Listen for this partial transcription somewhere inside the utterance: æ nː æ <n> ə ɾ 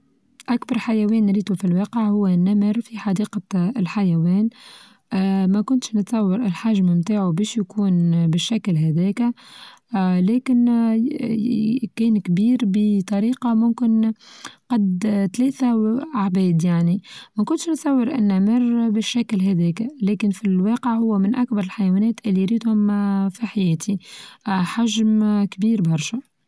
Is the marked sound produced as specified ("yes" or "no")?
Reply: no